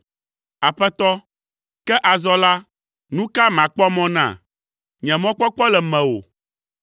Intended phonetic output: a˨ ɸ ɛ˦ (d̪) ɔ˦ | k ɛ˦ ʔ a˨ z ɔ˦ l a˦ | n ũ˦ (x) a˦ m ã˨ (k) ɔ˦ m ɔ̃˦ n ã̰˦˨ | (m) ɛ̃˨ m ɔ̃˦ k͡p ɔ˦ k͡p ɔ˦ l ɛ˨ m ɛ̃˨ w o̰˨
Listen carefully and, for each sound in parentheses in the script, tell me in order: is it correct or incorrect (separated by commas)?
incorrect, incorrect, incorrect, incorrect